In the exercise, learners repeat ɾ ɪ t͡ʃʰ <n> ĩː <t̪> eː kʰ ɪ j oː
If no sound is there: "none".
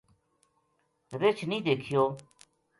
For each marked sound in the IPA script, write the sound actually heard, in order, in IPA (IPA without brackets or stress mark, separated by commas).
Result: n, d̪